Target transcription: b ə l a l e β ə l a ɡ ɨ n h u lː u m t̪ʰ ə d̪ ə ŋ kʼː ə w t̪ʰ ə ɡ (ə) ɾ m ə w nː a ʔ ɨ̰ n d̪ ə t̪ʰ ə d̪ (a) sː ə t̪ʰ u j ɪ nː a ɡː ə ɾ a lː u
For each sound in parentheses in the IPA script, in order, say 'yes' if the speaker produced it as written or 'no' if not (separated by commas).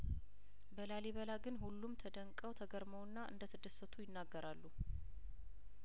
yes, no